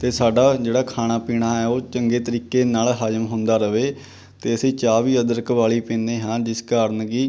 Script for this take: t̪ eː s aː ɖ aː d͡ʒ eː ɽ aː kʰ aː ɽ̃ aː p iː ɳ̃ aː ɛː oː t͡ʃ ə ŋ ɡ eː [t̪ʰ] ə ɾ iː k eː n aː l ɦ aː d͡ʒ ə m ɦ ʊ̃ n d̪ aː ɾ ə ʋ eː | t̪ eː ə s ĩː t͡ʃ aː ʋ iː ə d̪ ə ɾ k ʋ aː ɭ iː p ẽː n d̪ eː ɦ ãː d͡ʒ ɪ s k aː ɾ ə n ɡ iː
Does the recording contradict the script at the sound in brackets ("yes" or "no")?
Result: yes